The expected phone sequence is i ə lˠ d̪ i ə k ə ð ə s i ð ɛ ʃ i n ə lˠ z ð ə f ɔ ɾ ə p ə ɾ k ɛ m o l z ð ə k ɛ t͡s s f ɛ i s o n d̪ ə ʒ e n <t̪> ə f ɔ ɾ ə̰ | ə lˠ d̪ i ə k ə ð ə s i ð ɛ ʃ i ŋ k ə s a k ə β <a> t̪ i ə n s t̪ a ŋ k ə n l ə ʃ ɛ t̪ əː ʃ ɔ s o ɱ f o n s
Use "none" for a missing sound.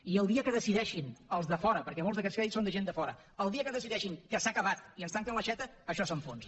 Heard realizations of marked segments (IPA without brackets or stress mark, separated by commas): d̪, a